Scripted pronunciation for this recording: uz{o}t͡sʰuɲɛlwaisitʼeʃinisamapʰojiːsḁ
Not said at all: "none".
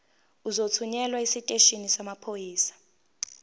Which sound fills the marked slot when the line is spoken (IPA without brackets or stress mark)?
o